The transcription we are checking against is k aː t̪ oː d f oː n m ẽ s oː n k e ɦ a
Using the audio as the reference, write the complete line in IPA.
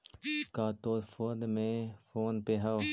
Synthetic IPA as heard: k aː t̪ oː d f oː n m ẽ f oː n p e ɦ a